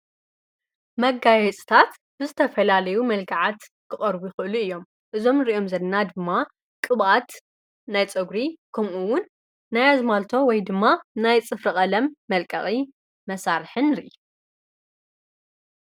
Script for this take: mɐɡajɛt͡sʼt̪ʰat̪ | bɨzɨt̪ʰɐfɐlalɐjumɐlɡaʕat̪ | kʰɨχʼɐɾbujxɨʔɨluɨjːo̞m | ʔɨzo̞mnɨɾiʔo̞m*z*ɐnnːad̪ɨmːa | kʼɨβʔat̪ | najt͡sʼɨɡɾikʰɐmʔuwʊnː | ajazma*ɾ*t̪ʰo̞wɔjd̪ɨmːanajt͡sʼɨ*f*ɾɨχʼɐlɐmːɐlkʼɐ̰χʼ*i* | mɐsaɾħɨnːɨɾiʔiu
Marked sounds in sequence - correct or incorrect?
correct, incorrect: l, correct, correct

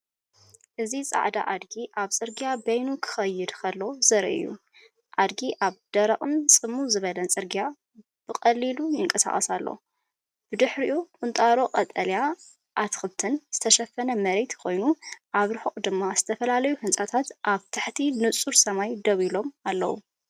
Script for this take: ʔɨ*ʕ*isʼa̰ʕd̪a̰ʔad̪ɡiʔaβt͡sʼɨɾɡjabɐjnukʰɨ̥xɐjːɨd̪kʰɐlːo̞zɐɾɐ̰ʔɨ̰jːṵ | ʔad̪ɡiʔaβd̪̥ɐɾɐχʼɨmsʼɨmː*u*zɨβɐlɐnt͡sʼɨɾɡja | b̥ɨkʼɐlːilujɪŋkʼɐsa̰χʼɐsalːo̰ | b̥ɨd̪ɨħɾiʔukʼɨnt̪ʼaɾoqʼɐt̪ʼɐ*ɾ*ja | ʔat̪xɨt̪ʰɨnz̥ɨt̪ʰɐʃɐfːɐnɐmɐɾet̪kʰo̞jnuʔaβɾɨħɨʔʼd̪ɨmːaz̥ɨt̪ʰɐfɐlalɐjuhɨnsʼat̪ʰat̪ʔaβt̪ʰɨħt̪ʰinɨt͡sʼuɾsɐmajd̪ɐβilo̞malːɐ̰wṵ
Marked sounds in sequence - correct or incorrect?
incorrect: z, correct, incorrect: l

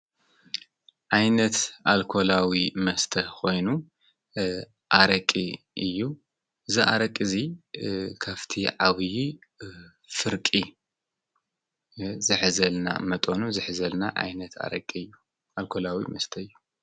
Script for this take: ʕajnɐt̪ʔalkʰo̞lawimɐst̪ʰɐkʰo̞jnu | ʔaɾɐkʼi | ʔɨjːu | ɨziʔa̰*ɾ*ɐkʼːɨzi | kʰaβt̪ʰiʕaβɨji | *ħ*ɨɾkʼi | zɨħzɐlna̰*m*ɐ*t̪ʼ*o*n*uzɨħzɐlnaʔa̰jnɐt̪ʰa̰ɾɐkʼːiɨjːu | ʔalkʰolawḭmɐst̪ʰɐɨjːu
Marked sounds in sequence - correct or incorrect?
correct, incorrect: f, correct, correct, correct

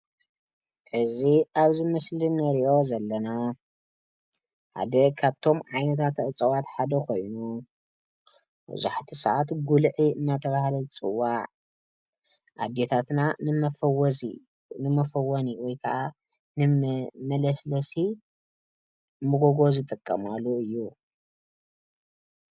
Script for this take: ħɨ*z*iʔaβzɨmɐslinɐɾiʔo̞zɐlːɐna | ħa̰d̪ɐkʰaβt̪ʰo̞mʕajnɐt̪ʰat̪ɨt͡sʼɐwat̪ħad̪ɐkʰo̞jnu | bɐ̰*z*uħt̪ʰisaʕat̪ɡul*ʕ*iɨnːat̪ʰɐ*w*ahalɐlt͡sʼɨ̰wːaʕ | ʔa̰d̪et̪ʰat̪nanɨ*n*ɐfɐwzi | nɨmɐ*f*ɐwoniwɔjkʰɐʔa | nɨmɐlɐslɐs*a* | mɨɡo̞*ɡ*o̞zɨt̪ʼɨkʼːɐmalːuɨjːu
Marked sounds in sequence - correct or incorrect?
correct, correct, correct, incorrect: β, incorrect: m, correct, incorrect: i, correct

